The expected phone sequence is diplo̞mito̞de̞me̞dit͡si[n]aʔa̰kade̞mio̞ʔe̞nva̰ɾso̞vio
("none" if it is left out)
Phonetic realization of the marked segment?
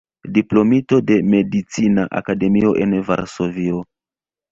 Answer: n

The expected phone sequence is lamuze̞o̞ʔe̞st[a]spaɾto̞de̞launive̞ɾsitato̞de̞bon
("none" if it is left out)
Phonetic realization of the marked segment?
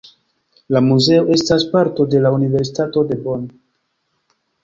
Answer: a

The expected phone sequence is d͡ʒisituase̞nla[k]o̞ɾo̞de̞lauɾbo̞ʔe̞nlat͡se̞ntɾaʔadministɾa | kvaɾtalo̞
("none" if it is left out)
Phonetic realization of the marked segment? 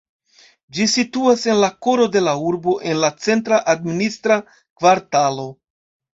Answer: k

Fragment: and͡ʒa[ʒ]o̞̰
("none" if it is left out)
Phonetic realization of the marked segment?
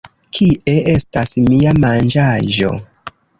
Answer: ʒ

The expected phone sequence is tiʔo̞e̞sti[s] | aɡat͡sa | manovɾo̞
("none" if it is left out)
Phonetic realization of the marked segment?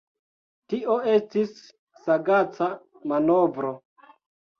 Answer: sː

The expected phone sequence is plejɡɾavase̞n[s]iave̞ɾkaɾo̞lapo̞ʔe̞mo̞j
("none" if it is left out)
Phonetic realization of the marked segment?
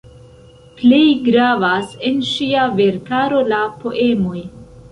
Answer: ʃ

